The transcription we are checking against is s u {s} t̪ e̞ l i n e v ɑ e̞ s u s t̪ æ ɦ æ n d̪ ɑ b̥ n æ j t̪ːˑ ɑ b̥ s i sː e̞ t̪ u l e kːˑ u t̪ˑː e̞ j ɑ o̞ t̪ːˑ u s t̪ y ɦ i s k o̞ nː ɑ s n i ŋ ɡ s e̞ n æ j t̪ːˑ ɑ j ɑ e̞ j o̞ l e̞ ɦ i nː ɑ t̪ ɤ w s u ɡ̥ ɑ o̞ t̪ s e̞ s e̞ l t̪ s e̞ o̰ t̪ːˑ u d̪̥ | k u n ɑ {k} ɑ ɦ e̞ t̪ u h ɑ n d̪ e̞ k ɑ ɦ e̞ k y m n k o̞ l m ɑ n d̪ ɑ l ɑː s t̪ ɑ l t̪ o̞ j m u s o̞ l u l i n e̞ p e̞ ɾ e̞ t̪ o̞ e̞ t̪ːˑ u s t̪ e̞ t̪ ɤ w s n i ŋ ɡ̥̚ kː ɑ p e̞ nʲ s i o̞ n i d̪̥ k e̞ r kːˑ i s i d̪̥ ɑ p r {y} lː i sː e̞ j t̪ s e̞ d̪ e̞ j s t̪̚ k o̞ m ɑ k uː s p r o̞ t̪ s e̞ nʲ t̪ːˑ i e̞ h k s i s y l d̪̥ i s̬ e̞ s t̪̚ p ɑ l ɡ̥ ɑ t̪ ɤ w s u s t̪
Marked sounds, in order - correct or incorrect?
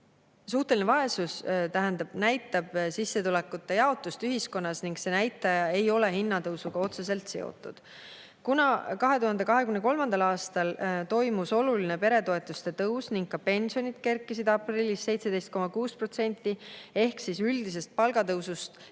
incorrect: h, correct, incorrect: i

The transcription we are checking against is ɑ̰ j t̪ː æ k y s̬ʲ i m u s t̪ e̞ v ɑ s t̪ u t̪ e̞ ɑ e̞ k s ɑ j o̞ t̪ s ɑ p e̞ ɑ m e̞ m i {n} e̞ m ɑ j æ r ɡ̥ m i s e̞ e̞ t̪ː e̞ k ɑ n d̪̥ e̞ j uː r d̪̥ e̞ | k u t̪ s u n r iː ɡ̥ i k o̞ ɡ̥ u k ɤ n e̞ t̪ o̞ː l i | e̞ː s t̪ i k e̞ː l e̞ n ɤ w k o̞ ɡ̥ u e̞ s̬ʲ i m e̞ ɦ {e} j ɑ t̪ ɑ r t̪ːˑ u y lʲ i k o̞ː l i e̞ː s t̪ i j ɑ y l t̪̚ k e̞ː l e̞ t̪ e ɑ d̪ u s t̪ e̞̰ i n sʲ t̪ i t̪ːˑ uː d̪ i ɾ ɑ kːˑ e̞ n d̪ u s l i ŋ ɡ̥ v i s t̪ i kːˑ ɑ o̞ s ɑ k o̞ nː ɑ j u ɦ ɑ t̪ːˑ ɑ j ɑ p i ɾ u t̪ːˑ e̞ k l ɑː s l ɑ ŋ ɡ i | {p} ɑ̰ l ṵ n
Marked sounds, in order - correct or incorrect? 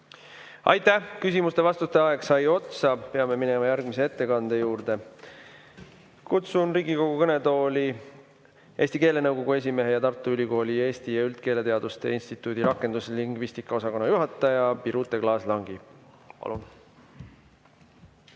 correct, correct, correct

